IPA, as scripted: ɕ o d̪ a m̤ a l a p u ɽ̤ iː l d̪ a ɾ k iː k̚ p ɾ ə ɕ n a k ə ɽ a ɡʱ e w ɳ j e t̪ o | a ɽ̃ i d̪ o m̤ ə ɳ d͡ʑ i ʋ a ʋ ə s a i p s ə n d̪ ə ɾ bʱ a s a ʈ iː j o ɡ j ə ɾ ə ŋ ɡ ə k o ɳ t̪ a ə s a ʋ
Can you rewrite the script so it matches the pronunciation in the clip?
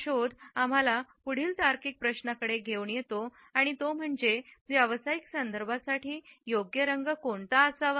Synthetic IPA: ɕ o d̪ a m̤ a l a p u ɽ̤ iː l t̪ a ɾ k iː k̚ p ɾ ə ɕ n a k ə ɽ e ɡʱ e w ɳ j e t̪ o | a ɽ̃ i t̪ o m̤ ə ɳ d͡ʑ e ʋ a ʋ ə s a i k s ə n d̪ ə ɾ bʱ a s a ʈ iː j o ɡ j ə ɾ ə ŋ ɡ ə k o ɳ t̪ a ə s a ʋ